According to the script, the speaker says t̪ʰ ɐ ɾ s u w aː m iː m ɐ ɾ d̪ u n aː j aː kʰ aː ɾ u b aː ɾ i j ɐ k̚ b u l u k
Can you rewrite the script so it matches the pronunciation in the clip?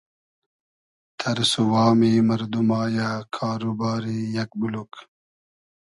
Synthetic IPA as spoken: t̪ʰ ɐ ɾ s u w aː m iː m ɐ ɾ d̪ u m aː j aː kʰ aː ɾ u b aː ɾ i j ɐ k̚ b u l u k